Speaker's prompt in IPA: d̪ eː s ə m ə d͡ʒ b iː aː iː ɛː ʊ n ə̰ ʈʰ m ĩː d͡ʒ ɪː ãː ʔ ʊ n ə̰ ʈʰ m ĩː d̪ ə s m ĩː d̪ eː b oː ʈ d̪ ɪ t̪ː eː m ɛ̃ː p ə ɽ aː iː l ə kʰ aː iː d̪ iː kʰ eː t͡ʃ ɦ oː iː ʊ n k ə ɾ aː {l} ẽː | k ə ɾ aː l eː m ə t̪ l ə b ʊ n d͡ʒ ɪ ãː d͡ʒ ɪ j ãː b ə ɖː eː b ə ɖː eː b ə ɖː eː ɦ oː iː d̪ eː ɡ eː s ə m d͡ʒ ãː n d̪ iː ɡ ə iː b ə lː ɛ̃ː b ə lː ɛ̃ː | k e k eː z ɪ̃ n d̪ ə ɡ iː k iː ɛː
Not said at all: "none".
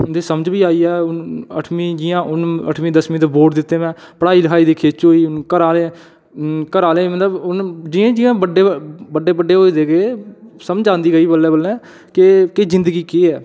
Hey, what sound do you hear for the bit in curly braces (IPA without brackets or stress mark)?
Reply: l